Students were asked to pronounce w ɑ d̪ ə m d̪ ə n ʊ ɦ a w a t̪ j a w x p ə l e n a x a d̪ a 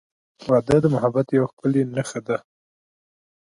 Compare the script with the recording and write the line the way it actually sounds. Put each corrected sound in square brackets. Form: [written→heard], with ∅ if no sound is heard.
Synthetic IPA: w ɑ d̪ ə [m→∅] d̪ ə [n→m] ʊ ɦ a [w→b] a t̪ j a w x p ə l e n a x a d̪ a

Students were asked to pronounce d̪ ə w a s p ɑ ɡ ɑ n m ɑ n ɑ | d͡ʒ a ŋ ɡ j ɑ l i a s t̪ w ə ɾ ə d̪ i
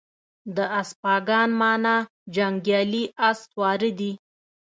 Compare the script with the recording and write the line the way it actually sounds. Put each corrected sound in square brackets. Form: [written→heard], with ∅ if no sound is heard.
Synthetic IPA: d̪ ə [w→∅] a s p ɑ ɡ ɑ n m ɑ n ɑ | d͡ʒ a ŋ ɡ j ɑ l i a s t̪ w [ə→ɑ] ɾ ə d̪ i

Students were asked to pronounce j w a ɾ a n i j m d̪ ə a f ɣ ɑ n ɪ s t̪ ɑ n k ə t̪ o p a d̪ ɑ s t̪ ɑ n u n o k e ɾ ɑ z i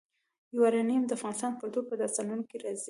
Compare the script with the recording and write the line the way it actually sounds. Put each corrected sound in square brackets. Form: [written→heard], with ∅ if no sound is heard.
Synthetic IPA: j w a ɾ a n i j m d̪ ə a f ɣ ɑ n ɪ s t̪ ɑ n [k→p] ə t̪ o p [a→ə] d̪ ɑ s t̪ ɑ n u n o k e ɾ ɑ z i

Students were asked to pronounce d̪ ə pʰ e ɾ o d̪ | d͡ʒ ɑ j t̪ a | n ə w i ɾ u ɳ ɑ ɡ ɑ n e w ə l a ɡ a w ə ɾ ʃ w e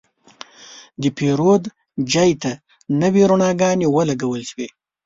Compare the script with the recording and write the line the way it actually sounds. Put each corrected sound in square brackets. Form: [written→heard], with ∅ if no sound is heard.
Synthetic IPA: d̪ ə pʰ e ɾ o d̪ | d͡ʒ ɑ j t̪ a | n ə w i ɾ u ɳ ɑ ɡ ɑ n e w ə l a ɡ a w ə [ɾ→l] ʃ w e

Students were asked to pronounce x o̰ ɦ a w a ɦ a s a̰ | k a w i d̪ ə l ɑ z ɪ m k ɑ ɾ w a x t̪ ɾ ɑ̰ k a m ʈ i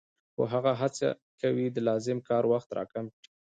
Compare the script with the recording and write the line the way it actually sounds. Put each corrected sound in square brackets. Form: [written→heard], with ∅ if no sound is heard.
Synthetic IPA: x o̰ ɦ a [w→ɣ] a ɦ a [s→t͡s] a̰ | k a w i d̪ ə l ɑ z ɪ m k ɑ ɾ w a x t̪ ɾ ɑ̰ k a m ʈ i

